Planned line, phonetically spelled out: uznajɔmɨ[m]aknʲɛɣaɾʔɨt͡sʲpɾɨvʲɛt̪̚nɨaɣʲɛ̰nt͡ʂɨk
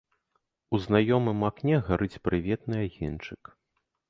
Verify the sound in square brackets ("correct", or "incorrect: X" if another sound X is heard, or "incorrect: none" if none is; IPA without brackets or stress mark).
correct